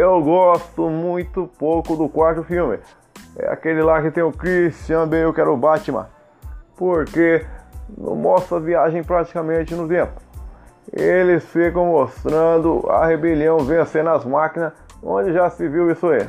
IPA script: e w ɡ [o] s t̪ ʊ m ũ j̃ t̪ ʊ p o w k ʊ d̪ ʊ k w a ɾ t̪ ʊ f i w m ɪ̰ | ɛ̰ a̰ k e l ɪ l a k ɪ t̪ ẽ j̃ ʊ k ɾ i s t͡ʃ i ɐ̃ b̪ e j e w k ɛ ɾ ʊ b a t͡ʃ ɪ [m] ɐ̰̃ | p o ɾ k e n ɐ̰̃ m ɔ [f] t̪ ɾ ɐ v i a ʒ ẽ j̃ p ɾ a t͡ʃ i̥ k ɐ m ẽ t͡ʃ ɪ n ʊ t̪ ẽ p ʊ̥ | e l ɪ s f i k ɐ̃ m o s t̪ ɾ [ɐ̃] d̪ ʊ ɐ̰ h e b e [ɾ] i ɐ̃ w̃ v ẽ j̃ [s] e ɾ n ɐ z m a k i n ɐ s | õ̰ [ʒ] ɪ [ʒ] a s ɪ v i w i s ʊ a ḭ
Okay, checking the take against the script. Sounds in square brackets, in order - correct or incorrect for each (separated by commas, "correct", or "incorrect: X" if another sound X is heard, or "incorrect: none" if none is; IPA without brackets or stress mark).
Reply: incorrect: ɔ, correct, incorrect: s, correct, incorrect: l, correct, incorrect: d͡ʒ, correct